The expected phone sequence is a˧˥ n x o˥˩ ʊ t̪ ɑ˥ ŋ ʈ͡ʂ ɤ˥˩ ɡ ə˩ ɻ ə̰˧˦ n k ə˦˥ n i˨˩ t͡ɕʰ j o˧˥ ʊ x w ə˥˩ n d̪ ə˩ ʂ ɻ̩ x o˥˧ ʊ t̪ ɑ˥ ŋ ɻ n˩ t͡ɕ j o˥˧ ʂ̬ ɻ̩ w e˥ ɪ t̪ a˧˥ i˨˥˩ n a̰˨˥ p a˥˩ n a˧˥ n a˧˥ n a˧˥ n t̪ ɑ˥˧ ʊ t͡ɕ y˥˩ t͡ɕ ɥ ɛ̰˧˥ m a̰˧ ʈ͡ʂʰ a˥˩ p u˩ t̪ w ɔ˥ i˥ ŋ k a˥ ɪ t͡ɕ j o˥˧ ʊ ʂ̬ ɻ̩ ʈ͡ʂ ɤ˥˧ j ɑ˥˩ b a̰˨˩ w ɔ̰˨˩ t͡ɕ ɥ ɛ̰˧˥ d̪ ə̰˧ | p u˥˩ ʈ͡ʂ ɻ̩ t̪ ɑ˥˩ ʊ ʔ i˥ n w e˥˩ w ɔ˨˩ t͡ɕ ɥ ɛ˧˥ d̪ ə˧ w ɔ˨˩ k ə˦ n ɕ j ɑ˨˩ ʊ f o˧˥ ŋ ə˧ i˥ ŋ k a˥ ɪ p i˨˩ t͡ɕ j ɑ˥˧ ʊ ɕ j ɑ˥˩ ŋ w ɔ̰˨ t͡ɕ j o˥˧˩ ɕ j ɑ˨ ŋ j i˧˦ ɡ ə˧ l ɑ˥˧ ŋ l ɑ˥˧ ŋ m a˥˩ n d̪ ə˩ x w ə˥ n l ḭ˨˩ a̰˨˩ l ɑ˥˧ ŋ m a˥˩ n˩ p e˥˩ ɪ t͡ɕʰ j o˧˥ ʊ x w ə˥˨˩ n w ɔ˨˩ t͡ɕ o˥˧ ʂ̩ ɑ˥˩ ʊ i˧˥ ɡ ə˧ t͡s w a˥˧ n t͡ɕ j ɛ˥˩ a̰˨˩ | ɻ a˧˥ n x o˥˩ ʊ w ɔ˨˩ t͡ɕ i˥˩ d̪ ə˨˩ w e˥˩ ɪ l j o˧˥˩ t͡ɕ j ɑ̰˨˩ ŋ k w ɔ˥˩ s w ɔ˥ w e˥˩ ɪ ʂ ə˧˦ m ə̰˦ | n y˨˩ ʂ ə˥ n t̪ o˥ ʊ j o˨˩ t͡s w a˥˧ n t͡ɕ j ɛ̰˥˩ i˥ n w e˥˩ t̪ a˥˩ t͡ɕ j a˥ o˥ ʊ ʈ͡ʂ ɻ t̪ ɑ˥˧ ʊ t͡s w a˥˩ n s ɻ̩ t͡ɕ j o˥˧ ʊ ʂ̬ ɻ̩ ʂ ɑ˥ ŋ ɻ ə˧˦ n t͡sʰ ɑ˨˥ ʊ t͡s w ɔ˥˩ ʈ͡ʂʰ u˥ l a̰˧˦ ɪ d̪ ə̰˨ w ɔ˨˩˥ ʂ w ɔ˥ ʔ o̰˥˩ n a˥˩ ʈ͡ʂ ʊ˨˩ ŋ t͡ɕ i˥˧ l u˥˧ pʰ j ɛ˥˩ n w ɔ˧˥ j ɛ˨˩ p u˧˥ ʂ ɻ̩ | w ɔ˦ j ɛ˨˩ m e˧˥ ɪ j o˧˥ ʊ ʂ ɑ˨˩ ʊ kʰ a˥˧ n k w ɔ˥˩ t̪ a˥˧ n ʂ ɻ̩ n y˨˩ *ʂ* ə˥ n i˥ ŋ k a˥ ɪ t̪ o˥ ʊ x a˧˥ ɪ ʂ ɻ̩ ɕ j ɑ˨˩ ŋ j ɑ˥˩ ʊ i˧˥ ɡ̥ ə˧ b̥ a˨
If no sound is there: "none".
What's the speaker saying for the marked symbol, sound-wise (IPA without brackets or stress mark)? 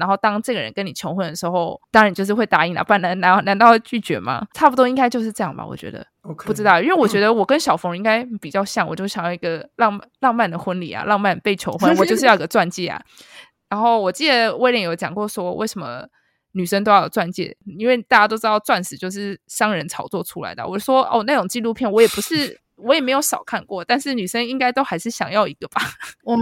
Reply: ʂ